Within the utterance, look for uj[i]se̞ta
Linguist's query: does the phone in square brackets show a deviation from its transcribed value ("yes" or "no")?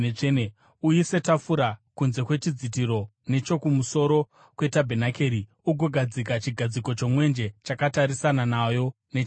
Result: no